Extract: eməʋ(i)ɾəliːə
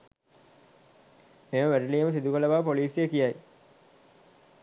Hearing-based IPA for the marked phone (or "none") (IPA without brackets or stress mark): æ